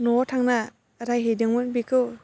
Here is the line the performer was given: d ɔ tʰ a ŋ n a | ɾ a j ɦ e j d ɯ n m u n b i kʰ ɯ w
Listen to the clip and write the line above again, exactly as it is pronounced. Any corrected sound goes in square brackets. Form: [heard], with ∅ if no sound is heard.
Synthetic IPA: [n] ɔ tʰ a ŋ n a | ɾ a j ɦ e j d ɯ [ŋ] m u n b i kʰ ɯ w